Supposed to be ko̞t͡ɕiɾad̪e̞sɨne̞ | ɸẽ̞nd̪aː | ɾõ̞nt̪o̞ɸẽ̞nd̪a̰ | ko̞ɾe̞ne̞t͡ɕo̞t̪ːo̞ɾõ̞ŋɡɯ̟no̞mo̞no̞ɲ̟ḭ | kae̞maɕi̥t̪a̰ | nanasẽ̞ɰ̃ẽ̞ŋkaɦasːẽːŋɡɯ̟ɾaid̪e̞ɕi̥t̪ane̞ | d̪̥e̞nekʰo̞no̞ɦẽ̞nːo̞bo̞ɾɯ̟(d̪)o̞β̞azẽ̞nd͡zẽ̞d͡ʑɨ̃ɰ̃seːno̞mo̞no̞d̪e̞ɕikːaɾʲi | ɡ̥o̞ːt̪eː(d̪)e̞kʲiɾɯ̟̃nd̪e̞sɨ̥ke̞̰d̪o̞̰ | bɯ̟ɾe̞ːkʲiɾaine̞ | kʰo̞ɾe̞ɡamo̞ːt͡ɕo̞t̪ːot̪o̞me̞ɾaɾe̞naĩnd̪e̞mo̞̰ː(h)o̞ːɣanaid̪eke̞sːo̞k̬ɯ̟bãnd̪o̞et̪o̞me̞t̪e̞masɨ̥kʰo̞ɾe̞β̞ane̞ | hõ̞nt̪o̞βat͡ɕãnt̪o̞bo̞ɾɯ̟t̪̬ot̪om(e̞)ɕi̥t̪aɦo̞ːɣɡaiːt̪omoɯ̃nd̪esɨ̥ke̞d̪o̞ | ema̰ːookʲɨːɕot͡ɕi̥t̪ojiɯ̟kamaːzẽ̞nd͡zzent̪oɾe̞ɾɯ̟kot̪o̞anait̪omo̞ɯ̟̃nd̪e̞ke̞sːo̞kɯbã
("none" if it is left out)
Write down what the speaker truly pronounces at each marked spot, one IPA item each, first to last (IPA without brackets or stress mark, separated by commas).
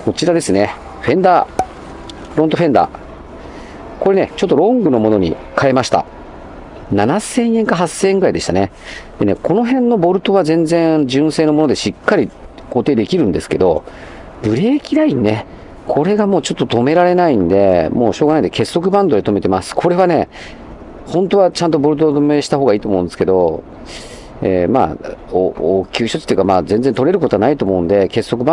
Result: t̪, d̪, ɕ, e̞